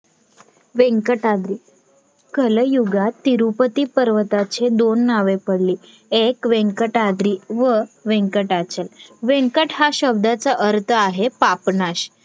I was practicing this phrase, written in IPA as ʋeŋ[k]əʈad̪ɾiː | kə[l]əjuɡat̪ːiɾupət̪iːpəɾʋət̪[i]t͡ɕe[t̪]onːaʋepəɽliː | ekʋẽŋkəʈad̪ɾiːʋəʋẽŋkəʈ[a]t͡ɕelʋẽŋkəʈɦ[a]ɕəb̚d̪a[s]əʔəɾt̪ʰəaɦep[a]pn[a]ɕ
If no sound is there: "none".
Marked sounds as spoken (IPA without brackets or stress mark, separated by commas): k, l, a, d̪, a, a, t͡s, a, a